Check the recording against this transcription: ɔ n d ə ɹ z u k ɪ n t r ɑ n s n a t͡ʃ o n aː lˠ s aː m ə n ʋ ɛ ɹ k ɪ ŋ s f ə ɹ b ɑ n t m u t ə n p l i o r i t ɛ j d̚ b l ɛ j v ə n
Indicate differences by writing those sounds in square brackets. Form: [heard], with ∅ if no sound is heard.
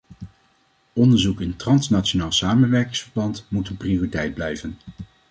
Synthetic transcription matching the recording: ɔ n d ə ɹ z u k ɪ n t r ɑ n s n a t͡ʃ o n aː lˠ s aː m ə n ʋ ɛ ɹ k ɪ ŋ s f ə ɹ b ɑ n t m u t ə n p [r] i o r i t ɛ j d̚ b l ɛ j v ə n

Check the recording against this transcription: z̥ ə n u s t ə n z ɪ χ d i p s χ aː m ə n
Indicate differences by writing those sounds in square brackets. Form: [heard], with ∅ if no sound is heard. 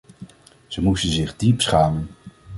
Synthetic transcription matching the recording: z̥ ə [m] u s t ə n z ɪ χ d i p s χ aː m ə n

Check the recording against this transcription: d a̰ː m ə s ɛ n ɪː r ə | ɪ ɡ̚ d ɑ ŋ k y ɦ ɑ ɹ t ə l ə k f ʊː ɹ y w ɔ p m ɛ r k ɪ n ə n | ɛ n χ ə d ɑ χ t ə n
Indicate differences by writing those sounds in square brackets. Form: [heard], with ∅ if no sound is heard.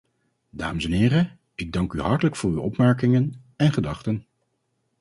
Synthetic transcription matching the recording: d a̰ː m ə s ɛ n ɪː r ə | ɪ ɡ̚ d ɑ ŋ k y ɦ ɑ ɹ t ə l ə k f ʊː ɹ y w ɔ p m ɛ [ɹ] k ɪ [ŋ] ə n | ɛ n χ ə d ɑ χ t ə n

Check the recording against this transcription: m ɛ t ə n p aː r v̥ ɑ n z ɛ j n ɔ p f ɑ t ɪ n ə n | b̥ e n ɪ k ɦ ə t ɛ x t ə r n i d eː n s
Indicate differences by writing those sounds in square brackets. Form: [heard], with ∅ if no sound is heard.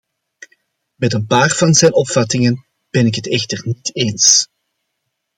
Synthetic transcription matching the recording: m ɛ t ə n p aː r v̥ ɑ n z ɛ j n ɔ p f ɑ t ɪ [ŋ] ə n | b̥ [ɛ] n ɪ k ɦ ə t ɛ x t ə r n i [t] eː n s

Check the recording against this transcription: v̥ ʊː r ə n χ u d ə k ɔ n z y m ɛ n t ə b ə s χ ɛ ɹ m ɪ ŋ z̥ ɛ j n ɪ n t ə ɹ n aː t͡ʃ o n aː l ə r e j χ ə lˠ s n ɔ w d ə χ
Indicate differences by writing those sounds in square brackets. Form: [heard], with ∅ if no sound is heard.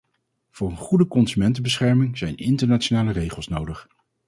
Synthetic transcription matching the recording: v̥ ʊː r ə n χ u d ə k ɔ n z y m ɛ n t ə b ə s χ ɛ ɹ m ɪ ŋ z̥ ɛ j n ɪ n t ə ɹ n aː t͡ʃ o n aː l ə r e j χ ə lˠ s n [o] w d ə χ

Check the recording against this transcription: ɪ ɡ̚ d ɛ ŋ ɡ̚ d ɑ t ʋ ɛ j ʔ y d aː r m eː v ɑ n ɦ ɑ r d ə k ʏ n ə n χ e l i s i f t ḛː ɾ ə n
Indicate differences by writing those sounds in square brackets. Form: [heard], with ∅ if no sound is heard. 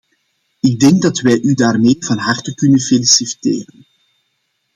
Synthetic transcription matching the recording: ɪ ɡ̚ d ɛ ŋ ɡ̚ d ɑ t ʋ ɛ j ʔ y d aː r m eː v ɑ n ɦ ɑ r [t] ə k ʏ n ə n [f] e l i s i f t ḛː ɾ ə n

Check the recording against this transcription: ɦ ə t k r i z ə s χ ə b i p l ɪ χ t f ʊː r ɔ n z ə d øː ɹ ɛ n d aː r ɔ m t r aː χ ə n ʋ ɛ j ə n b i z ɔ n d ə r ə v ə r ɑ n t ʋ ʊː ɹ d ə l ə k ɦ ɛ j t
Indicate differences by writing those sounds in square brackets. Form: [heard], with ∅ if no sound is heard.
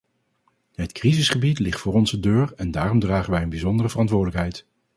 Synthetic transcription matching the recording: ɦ ə t k r i z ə s χ ə b i [t] l ɪ χ t f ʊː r ɔ n z ə d øː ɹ ɛ n d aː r ɔ m [d] r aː χ ə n ʋ ɛ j ə n b i z ɔ n d ə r ə v ə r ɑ n t ʋ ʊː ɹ d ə l ə k ɦ ɛ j t

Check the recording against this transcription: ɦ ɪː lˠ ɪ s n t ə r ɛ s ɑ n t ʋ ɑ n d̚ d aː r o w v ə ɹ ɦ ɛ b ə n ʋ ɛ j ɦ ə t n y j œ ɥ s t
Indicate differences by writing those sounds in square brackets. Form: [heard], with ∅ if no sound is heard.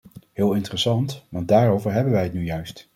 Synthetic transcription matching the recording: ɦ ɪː lˠ ɪ [∅] n t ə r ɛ s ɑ n t ʋ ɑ n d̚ d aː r o w v ə ɹ ɦ ɛ b ə n ʋ ɛ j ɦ ə t n y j œ ɥ s t

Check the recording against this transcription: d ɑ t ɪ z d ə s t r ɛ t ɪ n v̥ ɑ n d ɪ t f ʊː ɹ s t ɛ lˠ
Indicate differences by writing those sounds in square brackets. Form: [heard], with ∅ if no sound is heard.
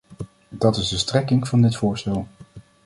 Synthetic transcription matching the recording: d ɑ t ɪ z d ə s t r ɛ [k] ɪ [ŋ] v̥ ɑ n d ɪ t f ʊː ɹ s t ɛ lˠ

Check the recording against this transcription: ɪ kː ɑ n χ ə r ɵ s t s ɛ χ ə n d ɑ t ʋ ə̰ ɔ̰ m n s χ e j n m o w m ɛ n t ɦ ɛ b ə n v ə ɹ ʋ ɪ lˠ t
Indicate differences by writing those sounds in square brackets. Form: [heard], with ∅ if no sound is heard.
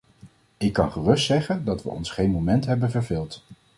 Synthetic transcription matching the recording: ɪ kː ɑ n χ ə r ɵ s t s ɛ χ ə n d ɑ t ʋ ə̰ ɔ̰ [∅] n s χ e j n m o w m ɛ n t ɦ ɛ b ə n v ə ɹ [v] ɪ lˠ t

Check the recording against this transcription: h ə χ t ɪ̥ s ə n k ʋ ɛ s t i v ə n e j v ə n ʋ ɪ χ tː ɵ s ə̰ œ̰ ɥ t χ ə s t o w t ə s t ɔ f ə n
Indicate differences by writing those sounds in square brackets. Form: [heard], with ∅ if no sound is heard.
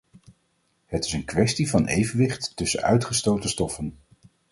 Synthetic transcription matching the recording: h ə [∅] t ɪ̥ s ə n k ʋ ɛ s t i v [ɑ] n e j v ə n ʋ ɪ χ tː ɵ s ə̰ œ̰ ɥ t χ ə s t o w t ə s t ɔ f ə n

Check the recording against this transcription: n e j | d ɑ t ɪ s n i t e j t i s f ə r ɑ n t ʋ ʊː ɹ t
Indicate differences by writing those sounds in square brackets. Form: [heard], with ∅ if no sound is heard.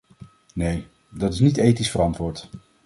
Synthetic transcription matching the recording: n e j | d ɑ t ɪ s n i t e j t i s f ə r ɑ n t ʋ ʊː ɹ t

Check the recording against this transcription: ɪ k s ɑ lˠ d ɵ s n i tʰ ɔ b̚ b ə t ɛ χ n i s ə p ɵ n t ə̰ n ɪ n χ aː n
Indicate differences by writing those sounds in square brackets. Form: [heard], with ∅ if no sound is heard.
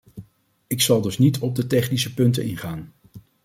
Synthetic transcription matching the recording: ɪ k s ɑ lˠ d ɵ s n i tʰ ɔ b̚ [d] ə t ɛ χ n i s ə p ɵ n t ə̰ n ɪ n χ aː n

